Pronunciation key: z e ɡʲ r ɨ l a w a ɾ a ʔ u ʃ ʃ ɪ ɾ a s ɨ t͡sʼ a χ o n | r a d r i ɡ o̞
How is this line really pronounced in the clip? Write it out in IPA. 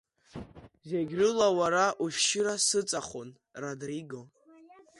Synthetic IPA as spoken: z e ɡʲ r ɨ l a w a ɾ a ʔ u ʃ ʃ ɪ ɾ a s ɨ t͡sʼ a χ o n | r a d r i ɡ o̞